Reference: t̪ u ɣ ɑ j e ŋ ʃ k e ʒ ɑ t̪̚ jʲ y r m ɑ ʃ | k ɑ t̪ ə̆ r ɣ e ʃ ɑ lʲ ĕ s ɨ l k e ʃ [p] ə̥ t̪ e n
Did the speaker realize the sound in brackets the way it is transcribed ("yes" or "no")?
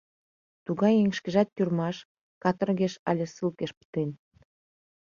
yes